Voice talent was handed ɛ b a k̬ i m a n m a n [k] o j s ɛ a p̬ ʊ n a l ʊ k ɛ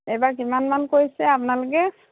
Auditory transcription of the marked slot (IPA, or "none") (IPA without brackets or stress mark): k